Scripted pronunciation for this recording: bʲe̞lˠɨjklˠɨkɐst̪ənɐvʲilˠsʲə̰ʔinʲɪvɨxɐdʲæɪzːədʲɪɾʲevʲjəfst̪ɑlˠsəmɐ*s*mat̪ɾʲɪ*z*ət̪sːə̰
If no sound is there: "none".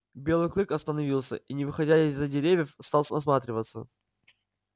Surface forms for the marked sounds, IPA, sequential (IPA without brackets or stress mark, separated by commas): s, v